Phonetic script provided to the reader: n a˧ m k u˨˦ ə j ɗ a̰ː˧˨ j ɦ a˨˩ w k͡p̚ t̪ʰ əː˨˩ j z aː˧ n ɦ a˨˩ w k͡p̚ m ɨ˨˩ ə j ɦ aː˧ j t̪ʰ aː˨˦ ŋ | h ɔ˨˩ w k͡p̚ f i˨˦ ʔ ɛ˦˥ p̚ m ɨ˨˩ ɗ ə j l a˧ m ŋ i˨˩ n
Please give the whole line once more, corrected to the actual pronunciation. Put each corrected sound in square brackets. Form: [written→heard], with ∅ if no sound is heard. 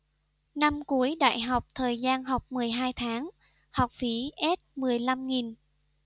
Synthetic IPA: n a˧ m k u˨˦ ə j ɗ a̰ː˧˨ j ɦ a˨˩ w k͡p̚ t̪ʰ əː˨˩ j z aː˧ n ɦ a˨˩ w k͡p̚ m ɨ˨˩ ə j ɦ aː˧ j t̪ʰ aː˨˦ ŋ | h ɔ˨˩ w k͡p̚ f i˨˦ ʔ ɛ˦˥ [p̚→t̚] m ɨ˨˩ [ɗ→∅] ə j l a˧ m ŋ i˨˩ n